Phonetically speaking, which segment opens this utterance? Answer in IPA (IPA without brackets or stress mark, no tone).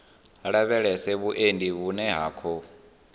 ɺ